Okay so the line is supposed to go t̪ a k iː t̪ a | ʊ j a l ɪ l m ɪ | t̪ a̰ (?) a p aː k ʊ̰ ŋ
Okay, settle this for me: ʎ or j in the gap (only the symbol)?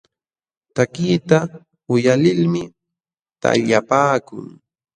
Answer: ʎ